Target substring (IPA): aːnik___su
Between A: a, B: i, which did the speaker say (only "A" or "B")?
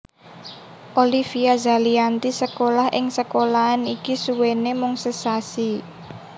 B